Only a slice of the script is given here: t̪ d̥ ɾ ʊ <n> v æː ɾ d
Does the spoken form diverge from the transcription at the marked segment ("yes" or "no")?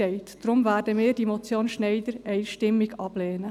yes